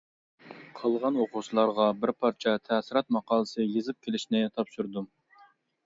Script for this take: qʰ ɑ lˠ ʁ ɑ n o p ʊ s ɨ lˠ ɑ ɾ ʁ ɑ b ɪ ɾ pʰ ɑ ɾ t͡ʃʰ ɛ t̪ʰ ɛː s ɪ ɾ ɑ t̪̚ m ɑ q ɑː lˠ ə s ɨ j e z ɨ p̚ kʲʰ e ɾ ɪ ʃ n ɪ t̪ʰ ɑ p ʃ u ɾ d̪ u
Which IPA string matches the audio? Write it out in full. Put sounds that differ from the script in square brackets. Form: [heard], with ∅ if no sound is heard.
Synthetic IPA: qʰ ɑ lˠ ʁ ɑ n o [q] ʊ s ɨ lˠ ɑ ɾ ʁ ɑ b ɪ ɾ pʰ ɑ ɾ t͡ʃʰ ɛ t̪ʰ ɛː s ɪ ɾ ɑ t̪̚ m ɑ q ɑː lˠ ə s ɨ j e z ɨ p̚ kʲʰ e [l] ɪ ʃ n ɪ t̪ʰ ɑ p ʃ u ɾ d̪ u